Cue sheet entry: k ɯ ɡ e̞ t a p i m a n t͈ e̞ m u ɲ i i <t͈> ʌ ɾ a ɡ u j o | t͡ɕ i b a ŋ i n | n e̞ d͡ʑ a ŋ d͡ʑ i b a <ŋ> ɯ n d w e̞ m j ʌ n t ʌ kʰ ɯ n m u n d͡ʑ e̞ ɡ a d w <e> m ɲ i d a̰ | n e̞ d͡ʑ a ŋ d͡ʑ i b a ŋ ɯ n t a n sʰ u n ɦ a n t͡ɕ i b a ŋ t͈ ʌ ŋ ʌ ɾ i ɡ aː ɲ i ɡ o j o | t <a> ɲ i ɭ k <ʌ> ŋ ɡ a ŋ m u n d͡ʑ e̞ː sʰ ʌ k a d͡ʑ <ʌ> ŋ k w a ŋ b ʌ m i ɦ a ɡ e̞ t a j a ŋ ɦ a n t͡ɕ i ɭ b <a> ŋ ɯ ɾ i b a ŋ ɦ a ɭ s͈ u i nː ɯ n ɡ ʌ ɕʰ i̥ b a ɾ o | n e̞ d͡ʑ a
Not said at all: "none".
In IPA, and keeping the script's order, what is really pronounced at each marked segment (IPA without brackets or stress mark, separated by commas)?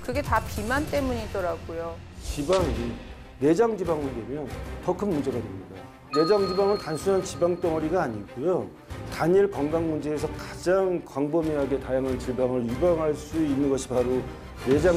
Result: t͈, ŋ, e, a, ʌ, a, a